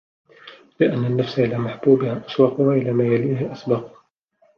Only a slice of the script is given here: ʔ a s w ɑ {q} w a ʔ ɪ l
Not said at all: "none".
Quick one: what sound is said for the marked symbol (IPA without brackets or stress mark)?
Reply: q